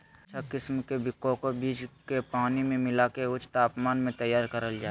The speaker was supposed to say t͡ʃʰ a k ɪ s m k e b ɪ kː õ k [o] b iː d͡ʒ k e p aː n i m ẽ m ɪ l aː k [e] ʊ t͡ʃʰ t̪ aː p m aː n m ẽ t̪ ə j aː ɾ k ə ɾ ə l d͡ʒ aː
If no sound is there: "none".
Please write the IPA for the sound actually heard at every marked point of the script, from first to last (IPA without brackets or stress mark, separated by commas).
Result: o, e